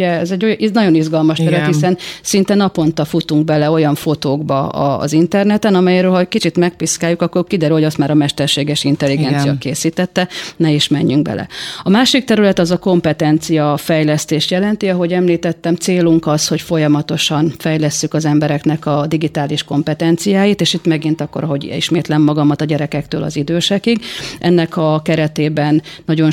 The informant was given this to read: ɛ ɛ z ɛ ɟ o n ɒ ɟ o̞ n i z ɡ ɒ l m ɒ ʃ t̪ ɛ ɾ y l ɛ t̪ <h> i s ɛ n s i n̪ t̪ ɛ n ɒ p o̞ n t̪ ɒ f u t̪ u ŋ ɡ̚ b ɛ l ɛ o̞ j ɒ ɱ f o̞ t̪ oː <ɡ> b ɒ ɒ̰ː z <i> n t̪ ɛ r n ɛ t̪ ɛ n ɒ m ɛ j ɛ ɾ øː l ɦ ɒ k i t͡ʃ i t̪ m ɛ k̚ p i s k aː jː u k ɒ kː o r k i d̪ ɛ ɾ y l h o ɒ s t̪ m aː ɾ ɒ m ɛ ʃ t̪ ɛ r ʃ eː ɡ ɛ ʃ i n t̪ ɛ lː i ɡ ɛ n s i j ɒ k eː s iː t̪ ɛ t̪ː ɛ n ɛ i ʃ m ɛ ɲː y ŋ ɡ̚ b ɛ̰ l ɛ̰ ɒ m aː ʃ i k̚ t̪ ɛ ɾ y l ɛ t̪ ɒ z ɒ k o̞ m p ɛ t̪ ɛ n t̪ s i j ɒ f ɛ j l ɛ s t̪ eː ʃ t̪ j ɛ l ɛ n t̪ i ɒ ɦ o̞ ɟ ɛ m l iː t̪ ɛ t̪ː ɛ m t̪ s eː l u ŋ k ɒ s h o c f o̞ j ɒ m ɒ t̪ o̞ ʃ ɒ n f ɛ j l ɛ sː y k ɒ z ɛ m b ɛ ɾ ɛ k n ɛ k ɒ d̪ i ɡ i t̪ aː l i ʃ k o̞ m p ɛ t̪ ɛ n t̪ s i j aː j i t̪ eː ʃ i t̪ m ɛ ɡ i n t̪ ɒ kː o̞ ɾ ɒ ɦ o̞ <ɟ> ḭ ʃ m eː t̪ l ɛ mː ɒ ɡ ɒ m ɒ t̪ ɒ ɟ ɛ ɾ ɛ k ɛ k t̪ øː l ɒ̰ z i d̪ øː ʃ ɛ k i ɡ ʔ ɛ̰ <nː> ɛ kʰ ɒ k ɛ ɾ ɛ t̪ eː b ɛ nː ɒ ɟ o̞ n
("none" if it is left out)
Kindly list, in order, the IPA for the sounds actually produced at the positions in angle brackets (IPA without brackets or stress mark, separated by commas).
h, ɡ, i, ɟ, nː